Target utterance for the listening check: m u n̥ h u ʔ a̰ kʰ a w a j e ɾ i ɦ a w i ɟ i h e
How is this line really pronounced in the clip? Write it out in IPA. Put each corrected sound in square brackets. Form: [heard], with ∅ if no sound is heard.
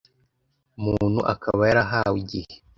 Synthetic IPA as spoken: m u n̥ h u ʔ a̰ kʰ a [β] a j [a] ɾ [a] ɦ a w i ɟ i h e